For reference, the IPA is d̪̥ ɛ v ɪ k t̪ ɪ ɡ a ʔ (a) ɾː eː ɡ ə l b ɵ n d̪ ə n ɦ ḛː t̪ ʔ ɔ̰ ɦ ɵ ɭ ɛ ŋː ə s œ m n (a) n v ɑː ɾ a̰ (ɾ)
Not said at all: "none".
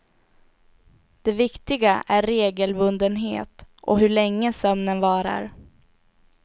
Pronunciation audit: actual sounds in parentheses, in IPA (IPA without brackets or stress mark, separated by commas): æ, ə, ɾ